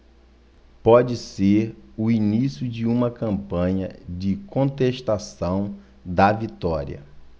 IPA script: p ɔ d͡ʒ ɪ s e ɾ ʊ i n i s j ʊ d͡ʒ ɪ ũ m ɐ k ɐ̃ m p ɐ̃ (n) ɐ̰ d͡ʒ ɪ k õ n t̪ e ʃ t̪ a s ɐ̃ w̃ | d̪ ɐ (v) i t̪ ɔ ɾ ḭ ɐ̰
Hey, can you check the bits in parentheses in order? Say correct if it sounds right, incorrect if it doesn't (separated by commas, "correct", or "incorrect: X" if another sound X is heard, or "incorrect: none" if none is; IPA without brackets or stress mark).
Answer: incorrect: ɲ, correct